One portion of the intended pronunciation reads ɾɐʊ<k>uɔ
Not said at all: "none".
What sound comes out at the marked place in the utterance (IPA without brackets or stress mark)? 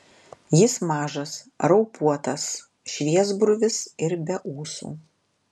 p